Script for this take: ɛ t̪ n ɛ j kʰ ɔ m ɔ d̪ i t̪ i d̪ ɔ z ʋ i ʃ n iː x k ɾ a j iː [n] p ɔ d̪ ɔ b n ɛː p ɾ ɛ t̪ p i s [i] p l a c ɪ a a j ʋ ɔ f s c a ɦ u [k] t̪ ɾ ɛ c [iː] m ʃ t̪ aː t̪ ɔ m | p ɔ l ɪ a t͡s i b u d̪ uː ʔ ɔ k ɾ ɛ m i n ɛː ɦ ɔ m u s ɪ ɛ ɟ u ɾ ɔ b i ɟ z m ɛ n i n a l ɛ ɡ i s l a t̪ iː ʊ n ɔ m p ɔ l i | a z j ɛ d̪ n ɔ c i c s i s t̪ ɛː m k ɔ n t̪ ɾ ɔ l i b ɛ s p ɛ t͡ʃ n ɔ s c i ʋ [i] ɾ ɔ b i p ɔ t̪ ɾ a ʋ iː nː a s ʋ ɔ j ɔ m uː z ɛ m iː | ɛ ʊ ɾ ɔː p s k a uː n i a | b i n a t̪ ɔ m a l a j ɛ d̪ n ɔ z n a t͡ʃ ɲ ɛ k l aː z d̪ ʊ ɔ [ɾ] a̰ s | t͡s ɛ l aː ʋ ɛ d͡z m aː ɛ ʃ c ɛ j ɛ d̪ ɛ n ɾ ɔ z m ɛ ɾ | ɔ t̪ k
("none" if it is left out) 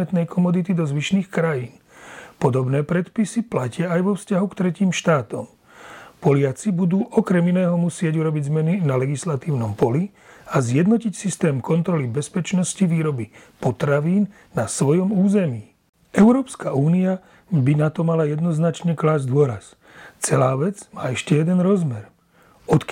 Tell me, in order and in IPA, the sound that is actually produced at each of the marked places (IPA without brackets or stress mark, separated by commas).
n, i, k, iː, iː, ɾ